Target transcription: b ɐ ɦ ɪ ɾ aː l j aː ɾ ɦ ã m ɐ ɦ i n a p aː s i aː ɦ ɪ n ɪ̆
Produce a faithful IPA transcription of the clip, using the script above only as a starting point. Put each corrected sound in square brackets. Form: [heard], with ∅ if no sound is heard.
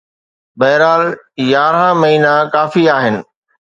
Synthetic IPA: b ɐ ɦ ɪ ɾ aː l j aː ɾ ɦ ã m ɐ ɦ [iː] n a [k] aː [f] i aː ɦ ɪ n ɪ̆